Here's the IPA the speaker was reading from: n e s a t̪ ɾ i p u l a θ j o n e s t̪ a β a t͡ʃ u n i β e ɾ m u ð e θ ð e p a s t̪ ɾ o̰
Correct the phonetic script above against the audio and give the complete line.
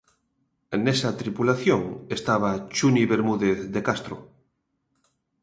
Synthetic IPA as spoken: n e s a t̪ ɾ i p u l a θ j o ŋ e s t̪ a β a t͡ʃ u n i β e ɾ m u ð e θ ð e k a s t̪ ɾ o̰